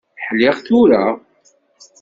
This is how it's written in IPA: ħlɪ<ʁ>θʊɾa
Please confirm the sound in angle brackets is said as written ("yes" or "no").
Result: yes